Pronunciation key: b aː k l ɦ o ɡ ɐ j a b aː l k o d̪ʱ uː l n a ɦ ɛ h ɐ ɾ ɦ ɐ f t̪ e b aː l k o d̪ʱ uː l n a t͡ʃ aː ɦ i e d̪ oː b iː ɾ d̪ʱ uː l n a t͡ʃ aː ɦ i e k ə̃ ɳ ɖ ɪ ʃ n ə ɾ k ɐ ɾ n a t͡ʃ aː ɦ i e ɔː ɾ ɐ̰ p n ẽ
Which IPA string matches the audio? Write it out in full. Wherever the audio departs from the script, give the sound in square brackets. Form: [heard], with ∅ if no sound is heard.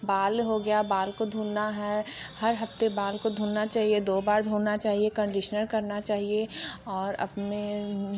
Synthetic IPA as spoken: b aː [∅] l ɦ o ɡ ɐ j a b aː l k o d̪ʱ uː l n a ɦ ɛ h ɐ ɾ ɦ ɐ f t̪ e b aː l k o d̪ʱ uː l n a t͡ʃ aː ɦ i e d̪ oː b [aː] ɾ d̪ʱ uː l n a t͡ʃ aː ɦ i e k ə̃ ɳ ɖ ɪ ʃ n ə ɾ k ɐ ɾ n a t͡ʃ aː ɦ i e ɔː ɾ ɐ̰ p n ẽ